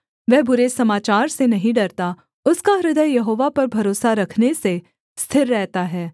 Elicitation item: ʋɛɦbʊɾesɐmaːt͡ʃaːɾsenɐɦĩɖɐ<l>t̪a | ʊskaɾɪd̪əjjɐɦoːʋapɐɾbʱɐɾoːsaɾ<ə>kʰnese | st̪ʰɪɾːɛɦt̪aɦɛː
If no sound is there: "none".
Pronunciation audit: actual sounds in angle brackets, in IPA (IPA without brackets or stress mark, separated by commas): ɾ, ɐ